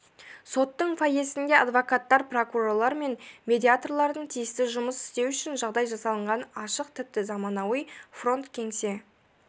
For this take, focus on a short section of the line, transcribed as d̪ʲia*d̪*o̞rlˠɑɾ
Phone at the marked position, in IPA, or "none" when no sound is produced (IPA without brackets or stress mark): t̪